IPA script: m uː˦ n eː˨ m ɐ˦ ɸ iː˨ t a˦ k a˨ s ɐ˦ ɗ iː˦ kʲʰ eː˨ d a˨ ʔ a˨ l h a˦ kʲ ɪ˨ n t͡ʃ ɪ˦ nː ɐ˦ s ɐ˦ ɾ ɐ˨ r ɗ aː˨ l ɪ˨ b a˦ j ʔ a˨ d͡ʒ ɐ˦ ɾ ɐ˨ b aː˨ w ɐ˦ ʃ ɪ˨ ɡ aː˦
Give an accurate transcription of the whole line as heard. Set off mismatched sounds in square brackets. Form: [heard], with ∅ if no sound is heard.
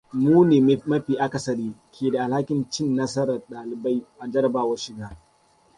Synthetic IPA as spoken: m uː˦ n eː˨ m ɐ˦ ɸ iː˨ [ʔ] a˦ k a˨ s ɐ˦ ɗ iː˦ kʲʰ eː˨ d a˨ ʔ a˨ l h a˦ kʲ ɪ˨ n t͡ʃ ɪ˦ nː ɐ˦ s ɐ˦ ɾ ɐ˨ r ɗ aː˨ l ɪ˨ b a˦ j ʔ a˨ d͡ʒ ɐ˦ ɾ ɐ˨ b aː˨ w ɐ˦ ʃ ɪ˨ ɡ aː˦